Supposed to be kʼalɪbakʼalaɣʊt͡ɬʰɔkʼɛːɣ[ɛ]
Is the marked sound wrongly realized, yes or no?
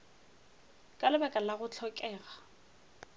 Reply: yes